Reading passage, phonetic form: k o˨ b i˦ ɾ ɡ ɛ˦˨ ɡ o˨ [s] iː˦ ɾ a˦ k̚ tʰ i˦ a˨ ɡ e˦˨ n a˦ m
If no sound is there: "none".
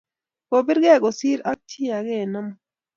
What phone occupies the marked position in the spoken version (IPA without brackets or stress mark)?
s